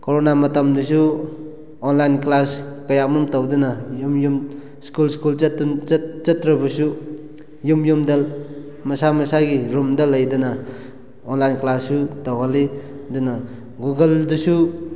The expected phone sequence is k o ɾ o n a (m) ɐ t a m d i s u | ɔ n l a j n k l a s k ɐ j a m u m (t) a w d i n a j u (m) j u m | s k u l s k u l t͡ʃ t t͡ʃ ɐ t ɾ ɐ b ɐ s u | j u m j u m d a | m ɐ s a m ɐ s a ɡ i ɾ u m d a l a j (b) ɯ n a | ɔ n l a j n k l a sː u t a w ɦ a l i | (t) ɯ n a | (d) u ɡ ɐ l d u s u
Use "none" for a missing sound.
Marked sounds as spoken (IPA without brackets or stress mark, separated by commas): m, t, m, d, d, ɡ